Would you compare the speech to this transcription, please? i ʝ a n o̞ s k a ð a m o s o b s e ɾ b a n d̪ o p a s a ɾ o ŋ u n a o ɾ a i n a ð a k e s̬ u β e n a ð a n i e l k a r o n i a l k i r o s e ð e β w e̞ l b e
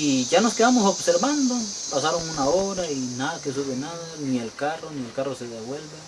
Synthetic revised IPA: i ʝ a n o̞ s k e ð a m o s o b s e ɾ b a n d̪ o p a s a ɾ o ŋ u n a o ɾ a i n a ð a k e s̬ u β e n a ð a n i e l k a r o n i e l k a r o s e ð e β w e̞ l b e